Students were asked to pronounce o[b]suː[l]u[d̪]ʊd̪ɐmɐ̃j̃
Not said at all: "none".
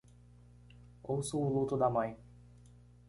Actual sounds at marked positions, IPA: w, l, t̪

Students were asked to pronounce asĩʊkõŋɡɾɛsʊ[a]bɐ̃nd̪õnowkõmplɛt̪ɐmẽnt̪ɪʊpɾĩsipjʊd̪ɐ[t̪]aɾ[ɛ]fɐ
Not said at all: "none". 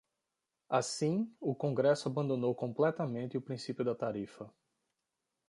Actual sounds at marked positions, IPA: a, t̪, i

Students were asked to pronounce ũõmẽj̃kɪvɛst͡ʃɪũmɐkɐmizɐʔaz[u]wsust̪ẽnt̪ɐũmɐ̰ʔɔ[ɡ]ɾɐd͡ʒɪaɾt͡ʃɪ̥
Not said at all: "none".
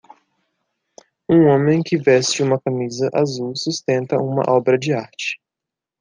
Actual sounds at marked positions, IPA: u, b

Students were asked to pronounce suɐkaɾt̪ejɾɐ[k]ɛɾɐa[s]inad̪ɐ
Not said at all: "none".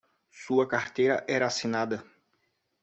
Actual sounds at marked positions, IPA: ʔ, s

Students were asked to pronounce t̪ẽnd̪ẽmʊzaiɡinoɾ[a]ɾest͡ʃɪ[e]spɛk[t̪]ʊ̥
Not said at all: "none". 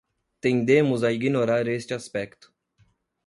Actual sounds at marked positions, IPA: a, a, t̪

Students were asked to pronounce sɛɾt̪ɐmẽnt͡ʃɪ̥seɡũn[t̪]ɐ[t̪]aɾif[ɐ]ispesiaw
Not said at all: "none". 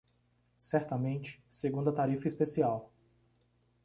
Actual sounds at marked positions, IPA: d̪, t̪, ɐ

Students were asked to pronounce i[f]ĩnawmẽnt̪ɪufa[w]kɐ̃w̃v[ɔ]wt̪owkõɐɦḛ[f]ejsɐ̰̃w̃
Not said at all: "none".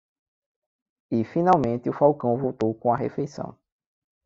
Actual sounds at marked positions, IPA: f, w, o, f

